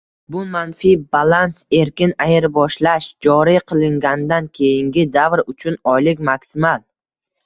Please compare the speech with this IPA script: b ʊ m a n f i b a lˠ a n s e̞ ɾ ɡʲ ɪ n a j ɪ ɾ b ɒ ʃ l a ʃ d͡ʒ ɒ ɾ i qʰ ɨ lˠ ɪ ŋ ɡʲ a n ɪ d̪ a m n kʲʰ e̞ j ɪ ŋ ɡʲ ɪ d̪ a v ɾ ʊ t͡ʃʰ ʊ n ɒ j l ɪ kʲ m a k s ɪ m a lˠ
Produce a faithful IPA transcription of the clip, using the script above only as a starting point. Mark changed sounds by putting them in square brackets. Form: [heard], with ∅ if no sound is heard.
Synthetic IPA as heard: b ʊ m a n f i b a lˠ a n s e̞ ɾ [kʲ] ɪ n a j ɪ ɾ b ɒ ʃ l a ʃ d͡ʒ ɒ ɾ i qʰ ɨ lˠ ɪ ŋ ɡʲ a n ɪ d̪ a [∅] n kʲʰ e̞ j ɪ ŋ ɡʲ ɪ d̪ a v ɾ ʊ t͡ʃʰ ʊ n ɒ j l ɪ kʲ m a k s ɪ m a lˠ